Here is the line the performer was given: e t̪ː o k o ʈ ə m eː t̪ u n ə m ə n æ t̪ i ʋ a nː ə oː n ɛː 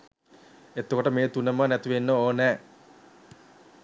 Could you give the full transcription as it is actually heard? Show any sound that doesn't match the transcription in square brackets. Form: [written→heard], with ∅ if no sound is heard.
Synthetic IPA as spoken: e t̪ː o k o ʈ ə m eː t̪ u n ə m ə n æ t̪ i ʋ [a→e] nː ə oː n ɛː